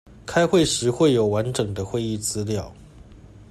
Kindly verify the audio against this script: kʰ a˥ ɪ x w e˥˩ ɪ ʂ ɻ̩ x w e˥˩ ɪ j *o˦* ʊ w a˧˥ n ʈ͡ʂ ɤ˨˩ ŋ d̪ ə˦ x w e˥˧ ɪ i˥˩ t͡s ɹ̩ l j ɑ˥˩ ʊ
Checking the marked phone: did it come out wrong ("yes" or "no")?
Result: yes